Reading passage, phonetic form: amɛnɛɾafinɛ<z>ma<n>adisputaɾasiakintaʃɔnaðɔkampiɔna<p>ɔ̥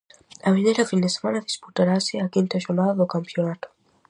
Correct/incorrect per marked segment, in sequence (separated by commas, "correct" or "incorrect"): incorrect, correct, incorrect